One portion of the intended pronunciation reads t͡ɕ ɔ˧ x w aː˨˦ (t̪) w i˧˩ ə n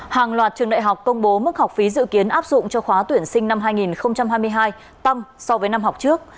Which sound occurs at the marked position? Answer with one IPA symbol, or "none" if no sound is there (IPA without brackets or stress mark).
t̪